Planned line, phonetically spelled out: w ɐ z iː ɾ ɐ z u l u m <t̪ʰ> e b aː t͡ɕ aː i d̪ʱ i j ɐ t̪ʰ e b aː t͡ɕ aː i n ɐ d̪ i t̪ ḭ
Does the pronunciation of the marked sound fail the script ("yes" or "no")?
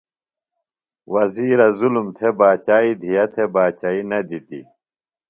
no